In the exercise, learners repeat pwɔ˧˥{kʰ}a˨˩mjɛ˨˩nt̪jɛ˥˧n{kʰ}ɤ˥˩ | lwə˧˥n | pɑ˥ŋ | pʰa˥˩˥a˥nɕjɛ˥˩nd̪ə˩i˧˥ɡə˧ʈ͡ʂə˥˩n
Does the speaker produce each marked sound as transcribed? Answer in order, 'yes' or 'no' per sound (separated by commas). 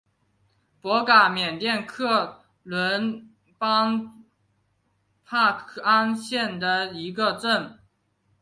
no, yes